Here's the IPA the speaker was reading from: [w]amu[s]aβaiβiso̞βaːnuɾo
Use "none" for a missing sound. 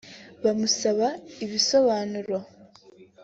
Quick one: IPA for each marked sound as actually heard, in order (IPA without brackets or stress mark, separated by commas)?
β, s